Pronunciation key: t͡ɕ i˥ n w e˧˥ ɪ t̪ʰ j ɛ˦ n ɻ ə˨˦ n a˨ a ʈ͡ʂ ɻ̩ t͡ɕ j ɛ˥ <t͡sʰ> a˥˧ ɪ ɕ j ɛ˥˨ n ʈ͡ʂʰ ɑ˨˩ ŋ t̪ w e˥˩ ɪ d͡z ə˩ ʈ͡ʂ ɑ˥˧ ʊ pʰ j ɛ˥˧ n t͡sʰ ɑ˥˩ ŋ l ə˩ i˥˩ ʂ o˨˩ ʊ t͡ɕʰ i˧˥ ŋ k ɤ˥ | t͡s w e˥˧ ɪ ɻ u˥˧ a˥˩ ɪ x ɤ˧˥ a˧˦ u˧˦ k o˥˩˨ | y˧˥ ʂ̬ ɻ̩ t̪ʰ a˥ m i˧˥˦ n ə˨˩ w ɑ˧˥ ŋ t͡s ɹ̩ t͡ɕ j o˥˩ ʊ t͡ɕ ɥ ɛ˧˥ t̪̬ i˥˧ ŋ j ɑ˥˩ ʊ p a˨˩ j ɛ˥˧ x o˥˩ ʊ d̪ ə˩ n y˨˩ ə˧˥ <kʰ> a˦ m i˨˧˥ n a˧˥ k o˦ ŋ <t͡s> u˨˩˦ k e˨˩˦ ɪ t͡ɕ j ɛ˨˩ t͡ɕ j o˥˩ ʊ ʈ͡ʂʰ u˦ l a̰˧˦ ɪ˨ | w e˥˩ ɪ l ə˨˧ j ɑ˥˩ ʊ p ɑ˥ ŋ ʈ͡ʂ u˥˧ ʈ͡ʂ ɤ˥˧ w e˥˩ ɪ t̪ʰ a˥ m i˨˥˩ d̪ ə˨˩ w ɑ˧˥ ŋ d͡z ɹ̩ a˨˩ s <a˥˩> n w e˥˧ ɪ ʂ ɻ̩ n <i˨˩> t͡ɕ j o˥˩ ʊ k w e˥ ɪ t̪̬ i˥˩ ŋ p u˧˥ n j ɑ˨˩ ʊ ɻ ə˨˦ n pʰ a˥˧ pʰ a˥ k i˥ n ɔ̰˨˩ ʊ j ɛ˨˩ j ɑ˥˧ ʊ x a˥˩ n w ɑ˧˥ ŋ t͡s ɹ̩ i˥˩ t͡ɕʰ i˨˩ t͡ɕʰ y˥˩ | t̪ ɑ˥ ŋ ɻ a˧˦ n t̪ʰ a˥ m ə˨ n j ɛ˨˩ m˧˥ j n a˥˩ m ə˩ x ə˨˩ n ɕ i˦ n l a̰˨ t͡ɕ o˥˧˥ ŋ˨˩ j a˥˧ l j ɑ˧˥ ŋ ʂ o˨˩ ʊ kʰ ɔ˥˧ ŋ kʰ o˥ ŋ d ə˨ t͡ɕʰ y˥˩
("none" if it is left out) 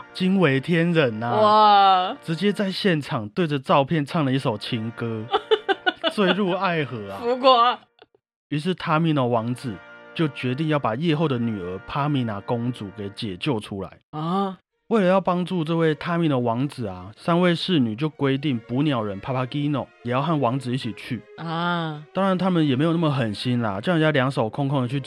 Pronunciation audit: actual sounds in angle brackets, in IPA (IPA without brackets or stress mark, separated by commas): t͡s, pʰ, t͡s, a˥, y˨˩